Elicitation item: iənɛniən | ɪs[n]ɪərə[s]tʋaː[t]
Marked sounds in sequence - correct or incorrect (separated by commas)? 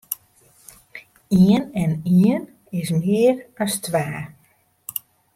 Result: incorrect, correct, incorrect